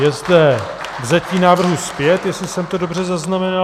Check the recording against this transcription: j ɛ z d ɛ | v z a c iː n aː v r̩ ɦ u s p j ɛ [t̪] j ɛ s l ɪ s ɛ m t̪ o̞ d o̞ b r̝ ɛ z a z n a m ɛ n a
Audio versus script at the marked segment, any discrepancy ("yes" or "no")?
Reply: no